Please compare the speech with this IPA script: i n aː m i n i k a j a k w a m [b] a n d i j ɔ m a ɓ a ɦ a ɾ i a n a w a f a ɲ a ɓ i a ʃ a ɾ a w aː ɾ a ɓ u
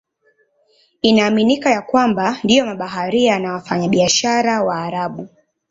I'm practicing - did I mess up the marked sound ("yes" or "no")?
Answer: no